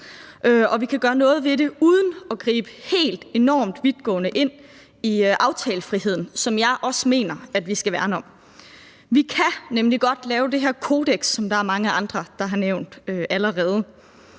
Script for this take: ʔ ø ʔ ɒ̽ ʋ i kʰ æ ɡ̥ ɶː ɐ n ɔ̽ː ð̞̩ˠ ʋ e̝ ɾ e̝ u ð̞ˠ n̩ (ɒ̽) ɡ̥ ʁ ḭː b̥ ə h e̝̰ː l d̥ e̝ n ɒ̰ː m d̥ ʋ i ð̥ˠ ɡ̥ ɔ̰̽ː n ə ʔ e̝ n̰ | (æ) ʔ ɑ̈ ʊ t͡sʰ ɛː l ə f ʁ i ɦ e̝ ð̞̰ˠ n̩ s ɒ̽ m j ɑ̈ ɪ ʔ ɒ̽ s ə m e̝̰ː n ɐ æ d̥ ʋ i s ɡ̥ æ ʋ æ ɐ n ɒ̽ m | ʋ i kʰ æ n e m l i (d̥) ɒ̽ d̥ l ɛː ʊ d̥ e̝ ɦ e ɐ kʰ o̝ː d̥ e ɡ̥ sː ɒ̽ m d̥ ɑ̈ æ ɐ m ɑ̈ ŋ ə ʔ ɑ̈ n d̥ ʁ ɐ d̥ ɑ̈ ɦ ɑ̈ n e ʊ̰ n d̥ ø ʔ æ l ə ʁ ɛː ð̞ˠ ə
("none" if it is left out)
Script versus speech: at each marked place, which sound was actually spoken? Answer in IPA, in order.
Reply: ɒ̽, i, ɡ̥

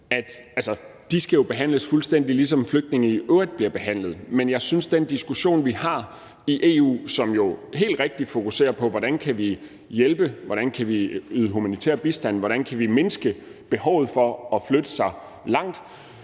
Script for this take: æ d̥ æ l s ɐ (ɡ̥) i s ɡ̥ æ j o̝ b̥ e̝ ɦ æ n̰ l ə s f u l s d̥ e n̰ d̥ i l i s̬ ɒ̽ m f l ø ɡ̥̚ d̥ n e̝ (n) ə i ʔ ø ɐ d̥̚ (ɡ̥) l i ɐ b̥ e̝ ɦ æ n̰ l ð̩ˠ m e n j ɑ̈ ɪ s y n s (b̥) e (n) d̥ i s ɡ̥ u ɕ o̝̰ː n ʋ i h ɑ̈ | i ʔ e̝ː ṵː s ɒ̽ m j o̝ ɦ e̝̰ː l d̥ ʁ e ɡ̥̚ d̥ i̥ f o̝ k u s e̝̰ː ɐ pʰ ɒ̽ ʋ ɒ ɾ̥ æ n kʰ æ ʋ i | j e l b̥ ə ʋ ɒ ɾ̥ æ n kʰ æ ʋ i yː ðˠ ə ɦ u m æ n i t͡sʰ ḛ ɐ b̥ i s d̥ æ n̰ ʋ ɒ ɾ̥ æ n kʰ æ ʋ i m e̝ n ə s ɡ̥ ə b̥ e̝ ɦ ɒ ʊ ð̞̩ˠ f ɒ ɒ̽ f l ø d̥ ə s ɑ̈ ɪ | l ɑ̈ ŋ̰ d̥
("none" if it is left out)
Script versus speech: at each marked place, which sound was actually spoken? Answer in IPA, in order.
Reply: d̥, ŋ, b̥, d̥, n

